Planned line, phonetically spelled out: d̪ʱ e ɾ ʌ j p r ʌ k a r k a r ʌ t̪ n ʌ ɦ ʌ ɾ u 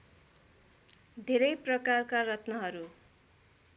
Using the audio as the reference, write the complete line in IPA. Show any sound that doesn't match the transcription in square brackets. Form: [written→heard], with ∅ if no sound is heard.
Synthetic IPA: d̪ʱ e ɾ ʌ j p r ʌ k a r k a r ʌ t̪ n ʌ ɦ ʌ ɾ u